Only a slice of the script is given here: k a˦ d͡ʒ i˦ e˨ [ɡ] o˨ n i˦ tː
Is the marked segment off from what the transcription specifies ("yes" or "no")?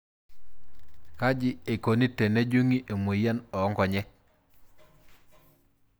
yes